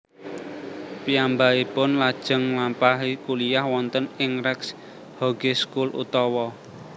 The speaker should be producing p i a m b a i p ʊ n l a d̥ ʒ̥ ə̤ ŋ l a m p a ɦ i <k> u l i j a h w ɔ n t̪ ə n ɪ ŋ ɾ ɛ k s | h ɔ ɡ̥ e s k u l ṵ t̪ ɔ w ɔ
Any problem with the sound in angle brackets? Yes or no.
no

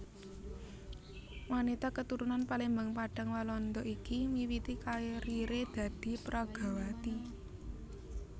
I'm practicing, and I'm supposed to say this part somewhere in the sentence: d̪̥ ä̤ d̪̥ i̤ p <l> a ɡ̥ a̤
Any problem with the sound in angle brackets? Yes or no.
yes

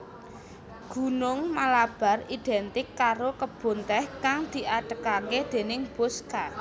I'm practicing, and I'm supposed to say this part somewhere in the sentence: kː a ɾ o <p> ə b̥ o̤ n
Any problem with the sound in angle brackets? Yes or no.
yes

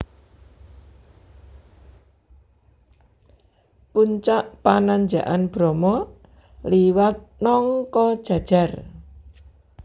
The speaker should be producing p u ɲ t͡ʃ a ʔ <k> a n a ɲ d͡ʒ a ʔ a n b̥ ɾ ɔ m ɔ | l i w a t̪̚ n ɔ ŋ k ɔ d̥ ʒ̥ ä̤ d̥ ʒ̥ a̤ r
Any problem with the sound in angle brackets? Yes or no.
yes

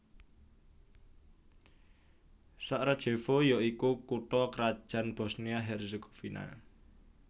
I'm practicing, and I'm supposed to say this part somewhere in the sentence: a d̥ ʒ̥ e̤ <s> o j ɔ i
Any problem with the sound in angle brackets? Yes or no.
yes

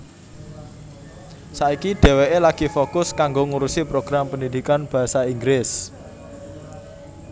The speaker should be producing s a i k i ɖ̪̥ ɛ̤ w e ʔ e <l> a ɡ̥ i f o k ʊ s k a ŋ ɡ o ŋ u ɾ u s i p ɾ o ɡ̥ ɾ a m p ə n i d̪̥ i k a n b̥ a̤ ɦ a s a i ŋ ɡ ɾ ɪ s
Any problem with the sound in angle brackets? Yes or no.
no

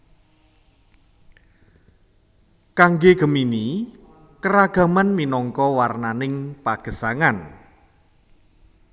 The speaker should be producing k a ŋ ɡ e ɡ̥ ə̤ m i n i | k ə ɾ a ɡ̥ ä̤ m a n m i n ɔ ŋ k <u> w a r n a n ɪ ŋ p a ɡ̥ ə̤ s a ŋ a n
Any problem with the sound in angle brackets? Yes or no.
yes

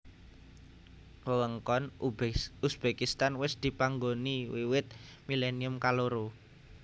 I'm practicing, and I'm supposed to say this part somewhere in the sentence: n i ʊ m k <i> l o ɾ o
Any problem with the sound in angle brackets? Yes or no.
yes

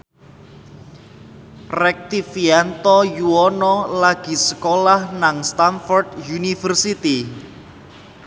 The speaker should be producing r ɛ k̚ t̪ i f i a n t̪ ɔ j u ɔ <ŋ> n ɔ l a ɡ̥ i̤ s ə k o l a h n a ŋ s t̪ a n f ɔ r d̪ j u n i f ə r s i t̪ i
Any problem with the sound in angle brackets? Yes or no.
yes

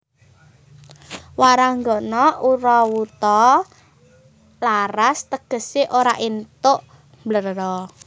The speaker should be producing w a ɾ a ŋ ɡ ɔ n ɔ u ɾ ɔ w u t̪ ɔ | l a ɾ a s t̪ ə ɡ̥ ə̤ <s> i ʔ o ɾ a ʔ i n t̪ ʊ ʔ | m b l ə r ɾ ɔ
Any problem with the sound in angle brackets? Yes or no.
no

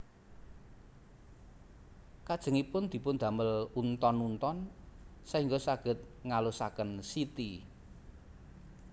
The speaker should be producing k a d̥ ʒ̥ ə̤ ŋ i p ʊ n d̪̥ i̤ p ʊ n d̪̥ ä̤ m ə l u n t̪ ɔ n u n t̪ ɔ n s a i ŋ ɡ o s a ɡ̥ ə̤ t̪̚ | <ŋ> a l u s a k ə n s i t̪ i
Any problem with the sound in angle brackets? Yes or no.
no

